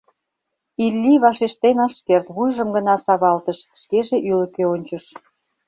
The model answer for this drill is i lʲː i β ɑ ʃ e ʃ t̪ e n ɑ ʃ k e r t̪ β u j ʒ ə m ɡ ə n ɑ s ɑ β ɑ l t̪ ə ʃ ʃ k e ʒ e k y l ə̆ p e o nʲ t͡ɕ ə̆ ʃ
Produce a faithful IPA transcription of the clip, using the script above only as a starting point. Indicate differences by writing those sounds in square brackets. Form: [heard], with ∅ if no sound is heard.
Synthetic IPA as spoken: i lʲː i β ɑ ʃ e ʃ t̪ e n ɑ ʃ k e r t̪ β u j ʒ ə m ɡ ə n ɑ s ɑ β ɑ l t̪ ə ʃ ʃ k e ʒ e [ʔ] y l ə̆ [k] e o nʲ t͡ɕ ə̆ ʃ